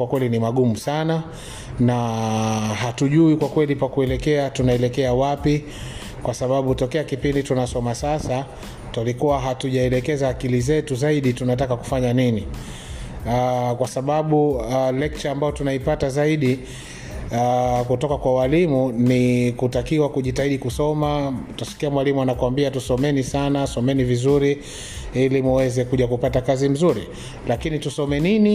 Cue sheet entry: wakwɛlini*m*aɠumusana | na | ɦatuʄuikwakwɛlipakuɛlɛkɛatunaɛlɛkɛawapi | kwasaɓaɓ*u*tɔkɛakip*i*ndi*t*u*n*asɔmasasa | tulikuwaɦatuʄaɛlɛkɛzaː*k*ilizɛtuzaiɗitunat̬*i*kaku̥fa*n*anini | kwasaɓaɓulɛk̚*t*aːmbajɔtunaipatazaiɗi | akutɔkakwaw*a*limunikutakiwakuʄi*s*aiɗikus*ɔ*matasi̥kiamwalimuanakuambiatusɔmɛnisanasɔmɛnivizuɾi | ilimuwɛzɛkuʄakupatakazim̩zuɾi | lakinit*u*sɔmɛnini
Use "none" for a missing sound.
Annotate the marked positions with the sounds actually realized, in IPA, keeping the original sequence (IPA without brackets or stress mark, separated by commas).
m, u, i, t, n, k, a, ɲ, t͡ʃ, a, t, ɔ, u